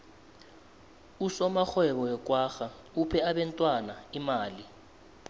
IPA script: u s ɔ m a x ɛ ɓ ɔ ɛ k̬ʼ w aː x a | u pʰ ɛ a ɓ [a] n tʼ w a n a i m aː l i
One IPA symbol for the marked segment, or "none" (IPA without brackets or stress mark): ɛ